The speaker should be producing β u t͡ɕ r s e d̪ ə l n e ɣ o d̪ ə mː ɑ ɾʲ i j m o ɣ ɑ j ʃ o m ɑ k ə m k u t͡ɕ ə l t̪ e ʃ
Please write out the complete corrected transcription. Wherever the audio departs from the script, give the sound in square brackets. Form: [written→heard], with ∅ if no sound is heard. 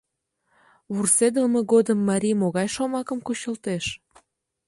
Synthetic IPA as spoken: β u [t͡ɕ→∅] r s e d̪ ə l [n→m] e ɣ o d̪ ə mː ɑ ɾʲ i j m o ɣ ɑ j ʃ o m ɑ k ə m k u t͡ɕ ə l t̪ e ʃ